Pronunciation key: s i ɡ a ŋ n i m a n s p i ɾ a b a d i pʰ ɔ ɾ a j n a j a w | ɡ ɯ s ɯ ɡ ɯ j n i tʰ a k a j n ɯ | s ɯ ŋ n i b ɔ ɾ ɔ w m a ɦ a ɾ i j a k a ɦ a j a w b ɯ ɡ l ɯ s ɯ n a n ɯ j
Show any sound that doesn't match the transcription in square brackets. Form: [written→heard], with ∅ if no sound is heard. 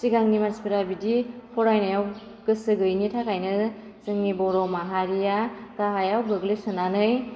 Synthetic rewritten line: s i ɡ a ŋ n i m a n s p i ɾ a b [a→i] d i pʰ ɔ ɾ a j n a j a w | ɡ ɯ s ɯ ɡ ɯ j n i tʰ a k a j n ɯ | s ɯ ŋ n i b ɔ ɾ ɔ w m a ɦ a ɾ i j a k a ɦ a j a w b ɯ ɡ l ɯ s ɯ n a n ɯ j